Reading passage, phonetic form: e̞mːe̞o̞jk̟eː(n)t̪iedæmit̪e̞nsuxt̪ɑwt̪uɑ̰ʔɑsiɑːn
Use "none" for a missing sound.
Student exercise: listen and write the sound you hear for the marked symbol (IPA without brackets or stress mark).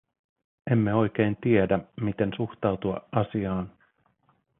n